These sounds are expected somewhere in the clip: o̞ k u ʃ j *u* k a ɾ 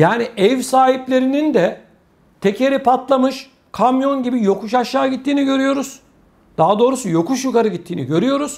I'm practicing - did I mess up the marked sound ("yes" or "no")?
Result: no